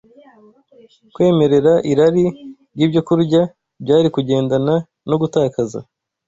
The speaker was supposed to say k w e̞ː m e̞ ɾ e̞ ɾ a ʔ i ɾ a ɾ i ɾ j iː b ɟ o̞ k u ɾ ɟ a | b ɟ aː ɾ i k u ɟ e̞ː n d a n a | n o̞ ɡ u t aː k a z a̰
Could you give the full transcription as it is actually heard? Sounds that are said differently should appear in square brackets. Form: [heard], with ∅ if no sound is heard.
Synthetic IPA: k w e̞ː m e̞ ɾ e̞ ɾ a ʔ i ɾ a ɾ i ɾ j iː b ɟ o̞ k u ɾ ɟ a | b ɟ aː ɾ i k u ɟ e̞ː n d a n a | n o̞ ɡ u t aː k a z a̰

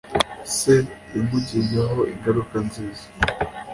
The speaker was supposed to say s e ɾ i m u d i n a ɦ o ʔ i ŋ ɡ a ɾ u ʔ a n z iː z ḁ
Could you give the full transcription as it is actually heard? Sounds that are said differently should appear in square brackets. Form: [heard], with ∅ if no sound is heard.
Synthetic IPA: s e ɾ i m u [ɟ] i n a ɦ o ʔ i ŋ ɡ a ɾ u [k] a n z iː z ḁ

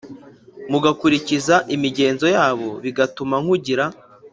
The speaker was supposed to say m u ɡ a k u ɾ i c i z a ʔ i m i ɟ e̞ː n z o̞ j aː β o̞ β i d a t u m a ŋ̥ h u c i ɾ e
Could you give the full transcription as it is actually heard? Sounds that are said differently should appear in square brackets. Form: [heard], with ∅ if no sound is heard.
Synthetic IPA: m u ɡ a k u ɾ i c i z a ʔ i m i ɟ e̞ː n z o̞ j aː β o̞ β i [ɡ] a t u m a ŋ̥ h u [ɟ] i ɾ [a]

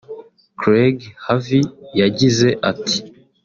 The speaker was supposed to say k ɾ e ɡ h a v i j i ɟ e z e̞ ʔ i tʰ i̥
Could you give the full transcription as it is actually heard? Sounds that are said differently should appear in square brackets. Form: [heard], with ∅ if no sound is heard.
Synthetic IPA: k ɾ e ɡ h a v i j [a] ɟ [i] z e̞ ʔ [a] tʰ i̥

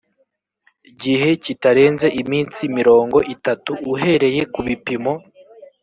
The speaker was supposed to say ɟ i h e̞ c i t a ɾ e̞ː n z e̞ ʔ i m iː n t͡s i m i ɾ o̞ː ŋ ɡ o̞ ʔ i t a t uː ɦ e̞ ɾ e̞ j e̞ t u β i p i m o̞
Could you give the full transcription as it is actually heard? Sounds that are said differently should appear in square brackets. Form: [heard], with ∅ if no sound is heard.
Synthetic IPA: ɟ i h e̞ c i t a ɾ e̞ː n z e̞ ʔ i m iː n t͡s i m i ɾ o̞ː ŋ ɡ o̞ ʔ i t a t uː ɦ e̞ ɾ e̞ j e̞ [k] u β i p i m o̞

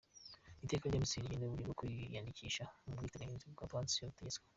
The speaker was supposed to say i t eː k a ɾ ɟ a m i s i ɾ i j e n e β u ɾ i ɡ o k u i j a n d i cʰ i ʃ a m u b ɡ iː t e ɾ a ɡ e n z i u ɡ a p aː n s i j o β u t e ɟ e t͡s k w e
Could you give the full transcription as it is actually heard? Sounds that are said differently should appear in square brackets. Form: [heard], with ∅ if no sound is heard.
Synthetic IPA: i t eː k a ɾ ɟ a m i s i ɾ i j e n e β u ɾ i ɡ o k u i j a n d i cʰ i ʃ a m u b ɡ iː t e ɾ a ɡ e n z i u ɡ a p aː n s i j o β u t e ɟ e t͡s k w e

